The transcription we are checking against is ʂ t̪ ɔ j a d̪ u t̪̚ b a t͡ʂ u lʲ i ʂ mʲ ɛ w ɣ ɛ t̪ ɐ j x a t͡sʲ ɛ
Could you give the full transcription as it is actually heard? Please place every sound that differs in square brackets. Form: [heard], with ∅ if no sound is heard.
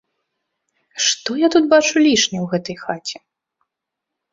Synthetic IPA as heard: ʂ t̪ ɔ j a [t̪] u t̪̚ b a t͡ʂ u lʲ i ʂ [nʲ] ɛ w ɣ ɛ t̪ ɐ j x a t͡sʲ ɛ